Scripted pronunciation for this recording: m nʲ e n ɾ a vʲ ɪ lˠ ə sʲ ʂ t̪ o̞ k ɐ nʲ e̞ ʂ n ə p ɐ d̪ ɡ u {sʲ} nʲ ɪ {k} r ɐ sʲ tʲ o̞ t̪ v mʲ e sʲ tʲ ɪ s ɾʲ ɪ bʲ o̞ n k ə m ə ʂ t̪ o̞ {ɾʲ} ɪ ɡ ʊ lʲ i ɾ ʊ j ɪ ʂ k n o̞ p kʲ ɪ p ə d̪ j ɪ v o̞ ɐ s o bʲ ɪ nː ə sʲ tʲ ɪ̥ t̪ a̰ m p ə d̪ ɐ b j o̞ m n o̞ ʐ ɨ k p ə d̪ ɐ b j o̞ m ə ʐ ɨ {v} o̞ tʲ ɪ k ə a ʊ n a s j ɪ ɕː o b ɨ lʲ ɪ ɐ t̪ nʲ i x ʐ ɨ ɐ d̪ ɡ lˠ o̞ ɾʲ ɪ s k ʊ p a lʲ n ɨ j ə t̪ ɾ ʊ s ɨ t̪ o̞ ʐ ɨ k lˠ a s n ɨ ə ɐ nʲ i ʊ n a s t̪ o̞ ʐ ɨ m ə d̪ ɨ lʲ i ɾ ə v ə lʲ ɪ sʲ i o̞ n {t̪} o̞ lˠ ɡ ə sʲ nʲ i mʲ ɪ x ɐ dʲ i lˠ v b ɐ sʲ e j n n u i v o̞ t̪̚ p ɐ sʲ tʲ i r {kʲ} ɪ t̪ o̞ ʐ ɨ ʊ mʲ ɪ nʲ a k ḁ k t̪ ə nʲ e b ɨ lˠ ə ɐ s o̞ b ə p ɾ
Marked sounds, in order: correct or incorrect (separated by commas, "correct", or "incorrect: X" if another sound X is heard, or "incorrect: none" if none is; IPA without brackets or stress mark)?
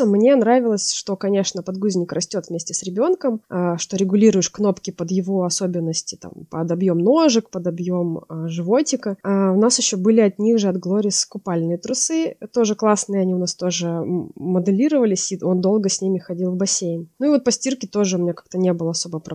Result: incorrect: zʲ, correct, correct, correct, incorrect: d̪, correct